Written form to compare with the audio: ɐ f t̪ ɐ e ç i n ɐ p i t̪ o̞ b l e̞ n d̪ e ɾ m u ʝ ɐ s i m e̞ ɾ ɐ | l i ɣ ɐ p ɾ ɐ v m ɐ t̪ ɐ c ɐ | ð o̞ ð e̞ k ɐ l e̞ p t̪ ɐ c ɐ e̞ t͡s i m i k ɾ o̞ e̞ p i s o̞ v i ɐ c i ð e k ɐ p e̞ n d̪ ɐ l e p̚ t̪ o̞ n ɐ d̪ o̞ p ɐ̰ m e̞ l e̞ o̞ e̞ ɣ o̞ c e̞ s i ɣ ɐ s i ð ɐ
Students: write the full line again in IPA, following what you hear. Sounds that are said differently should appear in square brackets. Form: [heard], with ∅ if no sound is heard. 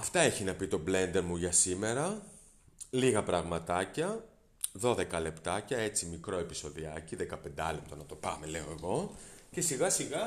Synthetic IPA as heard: ɐ f t̪ ɐ e ç i n ɐ p i t̪ o̞ b l e̞ n d̪ e ɾ m u ʝ ɐ s i m e̞ ɾ ɐ | l i ɣ ɐ p ɾ ɐ [ɣ] m ɐ t̪ ɐ c ɐ | ð o̞ ð e̞ k ɐ l e̞ p t̪ ɐ c ɐ e̞ t͡s i m i k ɾ o̞ e̞ p i s o̞ [ð] i ɐ c i ð e k ɐ p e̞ n d̪ ɐ l e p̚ t̪ o̞ n ɐ [t̪] o̞ p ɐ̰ m e̞ l e̞ o̞ e̞ ɣ o̞ c e̞ s i ɣ ɐ s i [ɣ] ɐ